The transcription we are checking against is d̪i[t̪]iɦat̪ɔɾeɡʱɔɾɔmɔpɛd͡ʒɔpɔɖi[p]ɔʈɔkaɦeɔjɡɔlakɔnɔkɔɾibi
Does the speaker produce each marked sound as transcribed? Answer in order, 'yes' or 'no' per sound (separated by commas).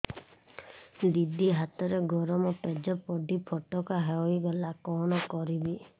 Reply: no, no